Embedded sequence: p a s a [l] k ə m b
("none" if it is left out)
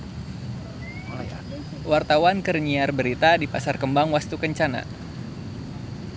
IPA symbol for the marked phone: r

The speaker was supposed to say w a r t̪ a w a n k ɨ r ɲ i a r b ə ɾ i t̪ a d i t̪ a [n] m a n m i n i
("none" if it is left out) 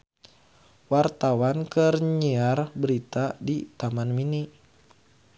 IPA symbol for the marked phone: none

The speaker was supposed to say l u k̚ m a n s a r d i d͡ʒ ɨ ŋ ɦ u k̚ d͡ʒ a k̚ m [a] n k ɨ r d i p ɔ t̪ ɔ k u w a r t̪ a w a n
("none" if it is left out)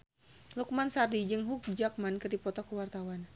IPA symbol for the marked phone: a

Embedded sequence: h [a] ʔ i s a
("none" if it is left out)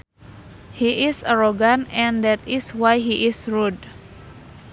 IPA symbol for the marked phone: i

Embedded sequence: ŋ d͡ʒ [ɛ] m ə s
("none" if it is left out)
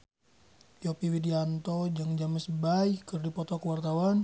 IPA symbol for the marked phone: a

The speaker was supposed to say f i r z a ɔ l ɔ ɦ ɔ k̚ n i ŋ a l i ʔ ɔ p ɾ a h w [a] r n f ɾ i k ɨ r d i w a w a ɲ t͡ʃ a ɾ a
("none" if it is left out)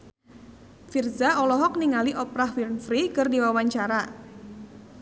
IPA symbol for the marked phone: i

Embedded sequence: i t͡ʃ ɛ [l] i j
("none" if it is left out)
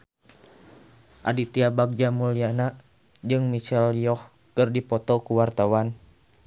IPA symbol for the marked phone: l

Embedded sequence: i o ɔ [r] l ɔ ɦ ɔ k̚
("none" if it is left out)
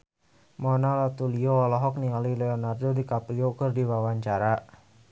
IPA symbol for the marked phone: none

